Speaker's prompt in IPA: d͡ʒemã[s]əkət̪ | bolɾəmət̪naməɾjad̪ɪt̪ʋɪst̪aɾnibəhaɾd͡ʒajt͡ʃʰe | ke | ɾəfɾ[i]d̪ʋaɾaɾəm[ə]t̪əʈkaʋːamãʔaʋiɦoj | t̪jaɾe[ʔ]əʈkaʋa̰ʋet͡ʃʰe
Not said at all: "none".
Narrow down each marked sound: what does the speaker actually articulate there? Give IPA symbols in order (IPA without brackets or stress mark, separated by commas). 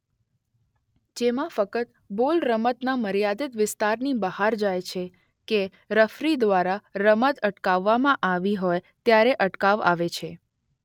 f, i, ə, ʔ